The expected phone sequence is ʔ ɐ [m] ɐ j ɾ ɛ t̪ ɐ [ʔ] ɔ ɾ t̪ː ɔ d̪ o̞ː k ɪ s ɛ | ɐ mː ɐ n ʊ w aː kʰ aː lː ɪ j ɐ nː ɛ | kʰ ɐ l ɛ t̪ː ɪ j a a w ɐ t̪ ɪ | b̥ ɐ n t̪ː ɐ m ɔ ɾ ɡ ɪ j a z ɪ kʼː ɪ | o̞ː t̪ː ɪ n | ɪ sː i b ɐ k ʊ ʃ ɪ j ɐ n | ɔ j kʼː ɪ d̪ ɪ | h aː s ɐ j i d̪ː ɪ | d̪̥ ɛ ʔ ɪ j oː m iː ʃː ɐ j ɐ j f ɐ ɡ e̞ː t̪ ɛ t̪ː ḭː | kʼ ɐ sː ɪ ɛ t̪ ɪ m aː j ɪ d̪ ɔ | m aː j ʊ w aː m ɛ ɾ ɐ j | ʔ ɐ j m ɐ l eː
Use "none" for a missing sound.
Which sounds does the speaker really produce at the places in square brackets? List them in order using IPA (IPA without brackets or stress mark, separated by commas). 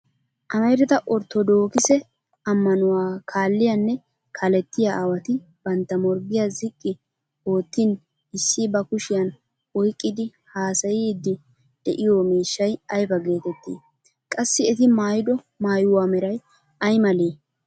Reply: m, ʔ